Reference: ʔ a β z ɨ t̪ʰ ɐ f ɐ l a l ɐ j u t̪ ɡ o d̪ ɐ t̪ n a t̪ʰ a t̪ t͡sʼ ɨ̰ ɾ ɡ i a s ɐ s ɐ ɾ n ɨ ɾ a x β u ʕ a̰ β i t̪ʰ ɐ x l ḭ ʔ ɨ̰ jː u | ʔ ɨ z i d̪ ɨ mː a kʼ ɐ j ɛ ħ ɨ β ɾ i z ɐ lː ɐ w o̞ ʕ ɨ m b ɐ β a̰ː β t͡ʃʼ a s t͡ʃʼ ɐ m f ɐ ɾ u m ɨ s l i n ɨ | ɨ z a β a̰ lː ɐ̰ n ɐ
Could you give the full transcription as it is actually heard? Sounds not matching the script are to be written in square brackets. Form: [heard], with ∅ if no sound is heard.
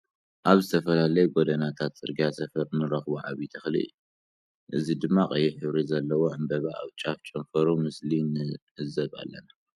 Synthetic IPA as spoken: ʔ a β z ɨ t̪ʰ ɐ f ɐ l a l ɐ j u [∅] ɡ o d̪ ɐ [∅] n a t̪ʰ a t̪ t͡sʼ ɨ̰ ɾ ɡ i a s ɐ [f] ɐ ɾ n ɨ ɾ [ɐ] x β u ʕ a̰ β i t̪ʰ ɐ x l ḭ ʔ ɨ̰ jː u | ʔ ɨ z i d̪ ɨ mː a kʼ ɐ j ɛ ħ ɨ β ɾ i z ɐ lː ɐ w o̞ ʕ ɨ m b ɐ β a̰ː β t͡ʃʼ a [f] t͡ʃʼ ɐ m f ɐ ɾ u m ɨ s l i n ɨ | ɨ z [ɐ] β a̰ lː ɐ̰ n [a]